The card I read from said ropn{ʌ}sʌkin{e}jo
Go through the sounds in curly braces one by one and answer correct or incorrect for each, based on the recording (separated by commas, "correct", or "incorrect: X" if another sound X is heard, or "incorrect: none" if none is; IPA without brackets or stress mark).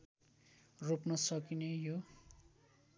correct, correct